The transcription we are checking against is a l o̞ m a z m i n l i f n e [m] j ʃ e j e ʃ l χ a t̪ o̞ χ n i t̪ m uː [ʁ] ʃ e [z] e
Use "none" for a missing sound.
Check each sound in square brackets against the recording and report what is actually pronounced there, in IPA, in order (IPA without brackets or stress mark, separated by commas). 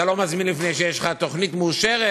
none, none, ʁ